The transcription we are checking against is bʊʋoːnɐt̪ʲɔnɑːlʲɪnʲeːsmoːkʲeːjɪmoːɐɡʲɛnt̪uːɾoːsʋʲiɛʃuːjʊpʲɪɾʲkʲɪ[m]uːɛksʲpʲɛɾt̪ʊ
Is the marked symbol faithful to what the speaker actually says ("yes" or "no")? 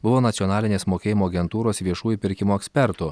yes